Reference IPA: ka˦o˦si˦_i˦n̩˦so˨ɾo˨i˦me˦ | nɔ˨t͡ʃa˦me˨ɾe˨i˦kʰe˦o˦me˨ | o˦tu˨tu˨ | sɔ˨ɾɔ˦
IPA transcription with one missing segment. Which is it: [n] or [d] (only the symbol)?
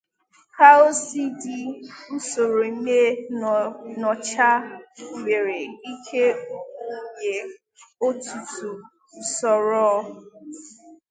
d